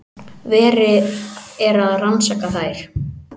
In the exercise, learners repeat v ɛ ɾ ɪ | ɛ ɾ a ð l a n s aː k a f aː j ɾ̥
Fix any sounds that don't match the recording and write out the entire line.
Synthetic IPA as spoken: v ɛː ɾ ɪ | ɛ ɾ a ð r a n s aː k a θ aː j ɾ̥